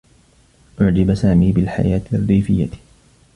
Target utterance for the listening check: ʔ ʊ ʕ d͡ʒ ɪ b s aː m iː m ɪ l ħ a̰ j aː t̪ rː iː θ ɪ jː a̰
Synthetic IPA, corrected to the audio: ʔ ʊ ʕ d͡ʒ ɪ b s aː m iː b ɪ l ħ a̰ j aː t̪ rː iː f ɪ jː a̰